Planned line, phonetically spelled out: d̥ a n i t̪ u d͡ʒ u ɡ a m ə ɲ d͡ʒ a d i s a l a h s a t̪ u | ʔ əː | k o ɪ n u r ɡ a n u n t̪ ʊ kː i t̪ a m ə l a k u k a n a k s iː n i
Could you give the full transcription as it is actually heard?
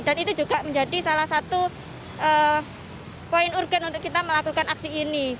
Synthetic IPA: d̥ a n i t̪ u d͡ʒ u ɡ a m ə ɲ d͡ʒ a d i s a l a h s a t̪ u | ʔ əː | p o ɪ n u r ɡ a n u n t̪ ʊ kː i t̪ a m ə l a k u k a n a k s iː n i